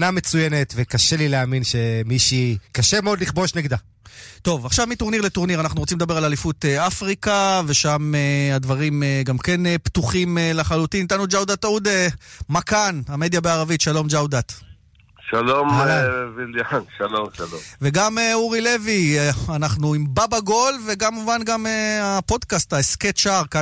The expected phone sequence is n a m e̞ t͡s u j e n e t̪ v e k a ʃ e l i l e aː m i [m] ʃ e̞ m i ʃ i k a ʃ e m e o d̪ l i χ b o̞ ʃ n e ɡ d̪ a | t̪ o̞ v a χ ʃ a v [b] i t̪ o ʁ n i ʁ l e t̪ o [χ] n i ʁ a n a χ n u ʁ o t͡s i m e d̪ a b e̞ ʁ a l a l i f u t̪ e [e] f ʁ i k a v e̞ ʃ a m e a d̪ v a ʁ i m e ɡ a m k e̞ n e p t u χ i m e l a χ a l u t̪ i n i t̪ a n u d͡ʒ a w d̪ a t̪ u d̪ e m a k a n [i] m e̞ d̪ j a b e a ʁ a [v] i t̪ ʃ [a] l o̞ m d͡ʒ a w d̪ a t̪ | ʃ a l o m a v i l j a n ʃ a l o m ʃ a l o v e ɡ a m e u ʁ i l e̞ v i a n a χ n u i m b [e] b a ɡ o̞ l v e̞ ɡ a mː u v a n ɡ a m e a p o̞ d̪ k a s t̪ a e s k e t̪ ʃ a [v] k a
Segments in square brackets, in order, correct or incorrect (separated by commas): incorrect, incorrect, incorrect, incorrect, incorrect, correct, correct, incorrect, incorrect